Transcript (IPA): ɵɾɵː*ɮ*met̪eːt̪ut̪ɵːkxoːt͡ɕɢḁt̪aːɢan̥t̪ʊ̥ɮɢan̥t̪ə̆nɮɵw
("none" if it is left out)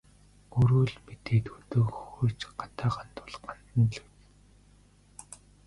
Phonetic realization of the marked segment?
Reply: ɮ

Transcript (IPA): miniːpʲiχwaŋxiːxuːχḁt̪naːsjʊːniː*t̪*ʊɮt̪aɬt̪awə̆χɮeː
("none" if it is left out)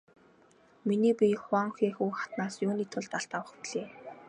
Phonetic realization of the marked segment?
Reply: t̪ʰ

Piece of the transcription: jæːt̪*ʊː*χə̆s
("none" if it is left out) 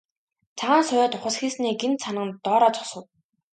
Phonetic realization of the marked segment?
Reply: ʊ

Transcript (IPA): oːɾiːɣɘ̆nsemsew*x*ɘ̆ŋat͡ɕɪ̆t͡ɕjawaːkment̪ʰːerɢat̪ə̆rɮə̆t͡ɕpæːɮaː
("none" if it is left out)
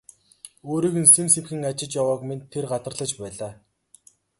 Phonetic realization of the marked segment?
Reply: x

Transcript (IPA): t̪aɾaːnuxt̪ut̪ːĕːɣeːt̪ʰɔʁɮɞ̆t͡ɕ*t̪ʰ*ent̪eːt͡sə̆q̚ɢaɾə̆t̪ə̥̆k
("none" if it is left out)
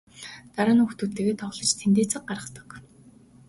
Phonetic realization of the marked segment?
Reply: t̪ʰ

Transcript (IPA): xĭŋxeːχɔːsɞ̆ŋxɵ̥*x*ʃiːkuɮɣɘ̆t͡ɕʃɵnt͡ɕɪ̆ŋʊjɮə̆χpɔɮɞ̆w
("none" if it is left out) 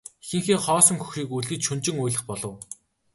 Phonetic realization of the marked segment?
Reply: x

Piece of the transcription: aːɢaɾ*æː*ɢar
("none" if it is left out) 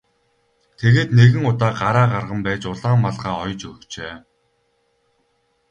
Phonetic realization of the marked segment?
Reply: aː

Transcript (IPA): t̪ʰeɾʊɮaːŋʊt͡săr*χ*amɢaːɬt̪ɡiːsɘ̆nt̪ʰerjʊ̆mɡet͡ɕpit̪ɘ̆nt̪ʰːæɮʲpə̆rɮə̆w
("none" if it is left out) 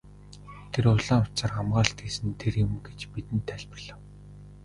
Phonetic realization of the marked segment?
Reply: χ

